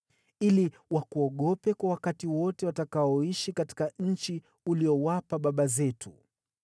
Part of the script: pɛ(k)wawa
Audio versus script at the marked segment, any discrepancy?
no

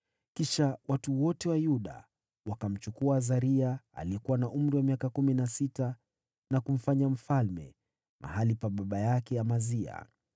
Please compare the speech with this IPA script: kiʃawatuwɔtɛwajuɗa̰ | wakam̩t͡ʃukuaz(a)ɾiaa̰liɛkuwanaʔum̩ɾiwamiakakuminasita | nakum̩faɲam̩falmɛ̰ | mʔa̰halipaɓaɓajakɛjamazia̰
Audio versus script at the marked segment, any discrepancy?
no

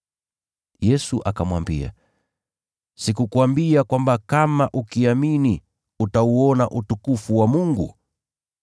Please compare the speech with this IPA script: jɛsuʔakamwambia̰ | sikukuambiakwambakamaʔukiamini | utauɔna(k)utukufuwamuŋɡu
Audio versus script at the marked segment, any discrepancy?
yes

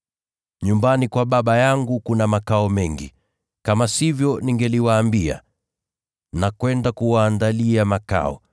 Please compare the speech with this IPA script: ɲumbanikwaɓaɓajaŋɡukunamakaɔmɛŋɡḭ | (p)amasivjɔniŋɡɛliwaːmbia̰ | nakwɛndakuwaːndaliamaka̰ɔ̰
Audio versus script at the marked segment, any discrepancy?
yes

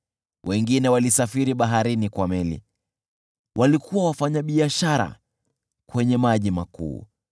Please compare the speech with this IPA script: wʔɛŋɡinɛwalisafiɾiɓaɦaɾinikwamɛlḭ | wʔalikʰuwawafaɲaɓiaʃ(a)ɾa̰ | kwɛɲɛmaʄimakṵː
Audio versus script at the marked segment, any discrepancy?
no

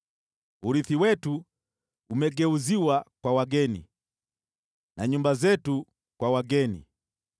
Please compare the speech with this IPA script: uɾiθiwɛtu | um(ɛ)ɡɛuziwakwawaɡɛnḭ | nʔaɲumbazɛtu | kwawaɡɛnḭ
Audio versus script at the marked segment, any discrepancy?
no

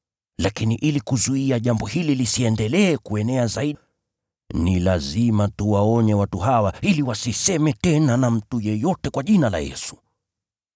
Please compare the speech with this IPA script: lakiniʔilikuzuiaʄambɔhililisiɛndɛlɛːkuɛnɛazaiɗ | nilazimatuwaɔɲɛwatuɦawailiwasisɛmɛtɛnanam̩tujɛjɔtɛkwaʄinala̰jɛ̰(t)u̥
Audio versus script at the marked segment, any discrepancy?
yes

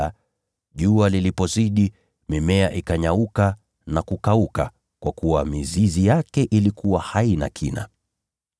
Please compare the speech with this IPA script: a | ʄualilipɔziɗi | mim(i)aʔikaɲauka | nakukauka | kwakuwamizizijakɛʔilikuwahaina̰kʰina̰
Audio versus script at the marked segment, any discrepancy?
yes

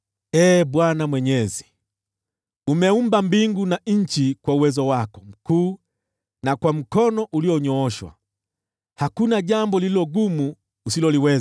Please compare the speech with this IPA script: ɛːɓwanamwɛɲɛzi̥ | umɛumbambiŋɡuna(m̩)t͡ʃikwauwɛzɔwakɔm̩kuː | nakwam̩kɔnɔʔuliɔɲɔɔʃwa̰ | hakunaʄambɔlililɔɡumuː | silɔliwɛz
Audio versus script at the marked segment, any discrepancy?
yes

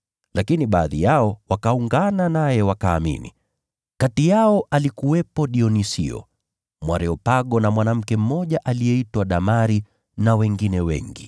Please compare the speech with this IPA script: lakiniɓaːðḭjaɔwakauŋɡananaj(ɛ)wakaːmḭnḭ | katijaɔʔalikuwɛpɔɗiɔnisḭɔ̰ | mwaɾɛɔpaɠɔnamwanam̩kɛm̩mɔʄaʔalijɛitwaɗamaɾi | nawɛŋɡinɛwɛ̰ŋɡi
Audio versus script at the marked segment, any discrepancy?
no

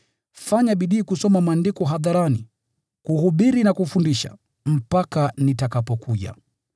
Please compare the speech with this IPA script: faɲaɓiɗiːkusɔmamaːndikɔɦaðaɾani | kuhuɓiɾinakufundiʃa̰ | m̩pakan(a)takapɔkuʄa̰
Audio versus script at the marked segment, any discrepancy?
yes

